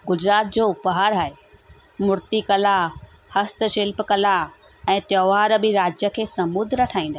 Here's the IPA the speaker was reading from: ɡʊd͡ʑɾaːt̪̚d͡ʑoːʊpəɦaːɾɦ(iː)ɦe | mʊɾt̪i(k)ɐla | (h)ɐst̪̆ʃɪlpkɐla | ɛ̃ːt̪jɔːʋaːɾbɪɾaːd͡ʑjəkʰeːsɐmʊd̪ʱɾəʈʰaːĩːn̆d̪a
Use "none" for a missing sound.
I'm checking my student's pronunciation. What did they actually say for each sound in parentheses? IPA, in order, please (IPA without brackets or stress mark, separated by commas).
aː, k, h